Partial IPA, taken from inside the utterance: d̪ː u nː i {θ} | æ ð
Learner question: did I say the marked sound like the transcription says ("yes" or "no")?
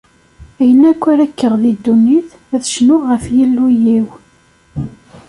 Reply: yes